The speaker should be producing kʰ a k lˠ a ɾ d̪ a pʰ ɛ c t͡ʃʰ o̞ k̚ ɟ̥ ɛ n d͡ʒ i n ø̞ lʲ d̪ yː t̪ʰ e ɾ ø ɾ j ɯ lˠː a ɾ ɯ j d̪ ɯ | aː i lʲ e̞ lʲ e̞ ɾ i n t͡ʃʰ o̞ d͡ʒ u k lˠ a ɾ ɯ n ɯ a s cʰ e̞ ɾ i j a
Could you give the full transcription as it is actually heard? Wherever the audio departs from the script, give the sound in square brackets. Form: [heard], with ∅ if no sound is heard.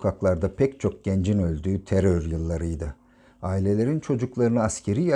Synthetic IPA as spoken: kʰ a k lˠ a ɾ d̪ a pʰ ɛ c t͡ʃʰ o̞ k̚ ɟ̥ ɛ n d͡ʒ i n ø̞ lʲ d̪ yː t̪ʰ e ɾ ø ɾ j ɯ lˠː a ɾ ɯ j d̪ ɯ | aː i lʲ e̞ lʲ e̞ ɾ i n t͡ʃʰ o̞ d͡ʒ u k lˠ a ɾ ɯ n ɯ a s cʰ e̞ ɾ i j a